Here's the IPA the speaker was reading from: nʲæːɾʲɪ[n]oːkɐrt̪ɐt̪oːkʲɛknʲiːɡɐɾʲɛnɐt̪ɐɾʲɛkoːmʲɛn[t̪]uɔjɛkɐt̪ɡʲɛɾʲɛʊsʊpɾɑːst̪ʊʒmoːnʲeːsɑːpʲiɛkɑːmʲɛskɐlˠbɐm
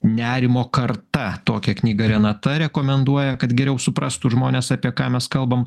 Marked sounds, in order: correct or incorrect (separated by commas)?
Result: incorrect, incorrect